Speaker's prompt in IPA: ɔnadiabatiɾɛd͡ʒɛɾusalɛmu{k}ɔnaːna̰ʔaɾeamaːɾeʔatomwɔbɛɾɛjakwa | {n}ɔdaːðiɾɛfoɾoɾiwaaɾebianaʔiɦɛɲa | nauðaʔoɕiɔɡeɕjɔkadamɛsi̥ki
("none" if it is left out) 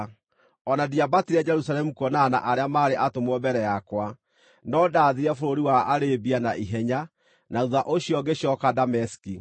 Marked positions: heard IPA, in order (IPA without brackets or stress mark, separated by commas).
k, n